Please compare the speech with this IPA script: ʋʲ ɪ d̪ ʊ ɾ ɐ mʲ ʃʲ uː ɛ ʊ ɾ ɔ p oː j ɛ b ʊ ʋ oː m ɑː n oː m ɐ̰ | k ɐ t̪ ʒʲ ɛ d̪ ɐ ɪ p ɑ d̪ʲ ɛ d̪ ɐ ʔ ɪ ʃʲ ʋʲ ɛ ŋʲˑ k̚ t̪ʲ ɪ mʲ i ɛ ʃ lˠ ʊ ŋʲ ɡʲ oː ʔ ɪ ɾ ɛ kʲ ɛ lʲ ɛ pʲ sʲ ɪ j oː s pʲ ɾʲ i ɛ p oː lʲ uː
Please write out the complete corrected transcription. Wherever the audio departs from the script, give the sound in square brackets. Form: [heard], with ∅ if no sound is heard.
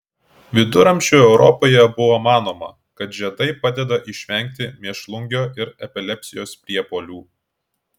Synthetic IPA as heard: ʋʲ ɪ d̪ ʊ ɾ ɐ mʲ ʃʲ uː ɛ ʊ ɾ ɔ p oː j ɛ b ʊ ʋ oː m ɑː n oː m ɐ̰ | k ɐ t̪ ʒʲ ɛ d̪ ɐ ɪ p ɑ d̪ʲ ɛ d̪ ɐ ʔ ɪ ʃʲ ʋʲ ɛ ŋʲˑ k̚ t̪ʲ ɪ mʲ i ɛ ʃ lˠ ʊ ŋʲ ɡʲ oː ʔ ɪ ɾ ɛ [pʲ] ɛ lʲ ɛ pʲ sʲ ɪ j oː s pʲ ɾʲ i ɛ p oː lʲ uː